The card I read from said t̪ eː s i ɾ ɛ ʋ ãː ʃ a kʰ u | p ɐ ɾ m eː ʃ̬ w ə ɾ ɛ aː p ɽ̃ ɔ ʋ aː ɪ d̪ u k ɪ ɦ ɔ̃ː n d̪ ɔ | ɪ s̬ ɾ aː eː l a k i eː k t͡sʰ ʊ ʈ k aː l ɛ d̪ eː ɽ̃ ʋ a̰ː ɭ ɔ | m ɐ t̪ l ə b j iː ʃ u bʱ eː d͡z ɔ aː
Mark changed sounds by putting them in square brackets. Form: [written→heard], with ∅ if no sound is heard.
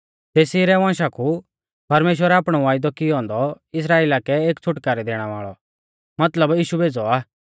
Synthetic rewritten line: t̪ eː s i ɾ ɛ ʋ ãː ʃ a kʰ u | p ɐ ɾ m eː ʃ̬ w ə ɾ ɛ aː p ɽ̃ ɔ ʋ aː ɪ d̪ [u→ɔ] k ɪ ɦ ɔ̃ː n d̪ ɔ | ɪ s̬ ɾ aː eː l a k [i→ɛ] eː k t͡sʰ ʊ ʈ k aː [l→ɾ] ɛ d̪ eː ɽ̃ ʋ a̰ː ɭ ɔ | m ɐ t̪ l ə b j iː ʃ u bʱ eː d͡z ɔ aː